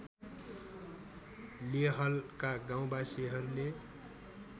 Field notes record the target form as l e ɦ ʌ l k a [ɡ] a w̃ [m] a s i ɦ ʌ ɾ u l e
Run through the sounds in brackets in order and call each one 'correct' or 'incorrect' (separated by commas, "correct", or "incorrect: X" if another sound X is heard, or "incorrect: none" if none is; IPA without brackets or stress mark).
correct, incorrect: b